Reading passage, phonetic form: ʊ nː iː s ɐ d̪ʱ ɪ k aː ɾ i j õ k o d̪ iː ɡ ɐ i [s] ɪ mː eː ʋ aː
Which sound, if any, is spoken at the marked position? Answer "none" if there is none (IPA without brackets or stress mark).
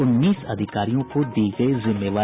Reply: z